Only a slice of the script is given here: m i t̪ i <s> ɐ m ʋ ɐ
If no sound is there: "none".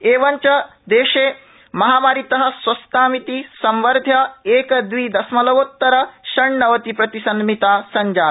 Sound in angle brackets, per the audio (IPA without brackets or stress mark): s